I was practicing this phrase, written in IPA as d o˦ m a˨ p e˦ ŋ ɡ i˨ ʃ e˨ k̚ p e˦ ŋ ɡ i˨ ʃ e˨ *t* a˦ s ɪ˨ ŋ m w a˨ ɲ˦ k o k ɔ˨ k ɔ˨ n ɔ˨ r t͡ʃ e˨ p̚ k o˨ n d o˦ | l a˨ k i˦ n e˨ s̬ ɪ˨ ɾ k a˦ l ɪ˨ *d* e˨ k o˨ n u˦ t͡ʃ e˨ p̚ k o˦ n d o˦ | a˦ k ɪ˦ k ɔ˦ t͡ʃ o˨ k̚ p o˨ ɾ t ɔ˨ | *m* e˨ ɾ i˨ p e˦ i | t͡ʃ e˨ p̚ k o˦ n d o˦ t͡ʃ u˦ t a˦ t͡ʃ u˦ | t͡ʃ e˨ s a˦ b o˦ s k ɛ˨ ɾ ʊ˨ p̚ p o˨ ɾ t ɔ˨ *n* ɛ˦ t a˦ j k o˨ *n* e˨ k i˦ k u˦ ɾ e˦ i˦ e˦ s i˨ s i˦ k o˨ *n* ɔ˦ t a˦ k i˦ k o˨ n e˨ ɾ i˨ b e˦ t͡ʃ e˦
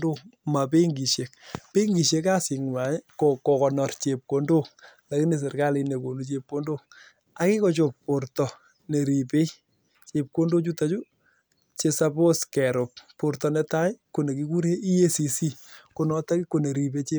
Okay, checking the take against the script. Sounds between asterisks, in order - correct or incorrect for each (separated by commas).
incorrect, incorrect, incorrect, correct, correct, correct